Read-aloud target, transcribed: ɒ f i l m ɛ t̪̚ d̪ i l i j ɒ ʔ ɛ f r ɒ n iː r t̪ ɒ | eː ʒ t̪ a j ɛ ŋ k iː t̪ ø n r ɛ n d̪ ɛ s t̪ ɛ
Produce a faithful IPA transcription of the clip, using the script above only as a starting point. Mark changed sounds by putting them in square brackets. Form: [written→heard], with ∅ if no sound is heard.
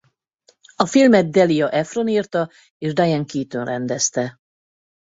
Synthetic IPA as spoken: ɒ f i l m ɛ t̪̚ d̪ [i→ɛ] l i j ɒ ʔ ɛ f r [ɒ→o] n iː r t̪ ɒ | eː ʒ [t̪→d̪] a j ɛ ŋ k iː t̪ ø n r ɛ n d̪ ɛ s t̪ ɛ